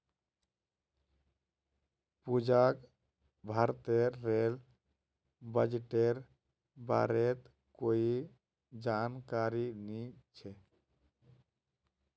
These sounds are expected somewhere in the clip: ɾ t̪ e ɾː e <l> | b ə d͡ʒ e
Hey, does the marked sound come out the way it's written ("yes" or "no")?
yes